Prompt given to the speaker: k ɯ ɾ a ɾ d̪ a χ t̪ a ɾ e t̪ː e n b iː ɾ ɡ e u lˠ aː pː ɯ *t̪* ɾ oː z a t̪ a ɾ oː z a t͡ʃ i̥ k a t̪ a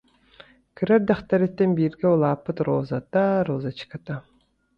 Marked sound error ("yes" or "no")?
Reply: no